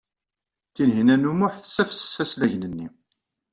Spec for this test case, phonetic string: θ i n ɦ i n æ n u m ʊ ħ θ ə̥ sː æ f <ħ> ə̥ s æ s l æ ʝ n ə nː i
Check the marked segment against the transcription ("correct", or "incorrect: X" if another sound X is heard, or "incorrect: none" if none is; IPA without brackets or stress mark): incorrect: s